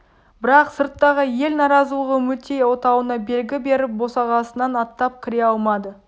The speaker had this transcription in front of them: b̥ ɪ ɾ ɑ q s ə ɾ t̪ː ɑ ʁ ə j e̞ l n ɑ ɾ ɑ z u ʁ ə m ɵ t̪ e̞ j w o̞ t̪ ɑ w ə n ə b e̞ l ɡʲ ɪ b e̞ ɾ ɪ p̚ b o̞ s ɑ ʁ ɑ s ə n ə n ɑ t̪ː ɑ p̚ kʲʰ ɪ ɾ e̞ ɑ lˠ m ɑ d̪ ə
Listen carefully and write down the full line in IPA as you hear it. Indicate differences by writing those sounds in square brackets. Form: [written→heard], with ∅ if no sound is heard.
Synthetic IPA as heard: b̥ ɪ ɾ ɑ q s ə ɾ t̪ː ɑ ʁ ə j e̞ l n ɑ ɾ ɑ z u ʁ ə m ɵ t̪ e̞ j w o̞ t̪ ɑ w ə n [ə→ɑ] b e̞ l ɡʲ ɪ b e̞ ɾ ɪ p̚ b o̞ s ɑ ʁ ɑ s ə n [ə→ɑ] n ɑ t̪ː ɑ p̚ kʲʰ ɪ ɾ e̞ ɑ lˠ m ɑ d̪ ə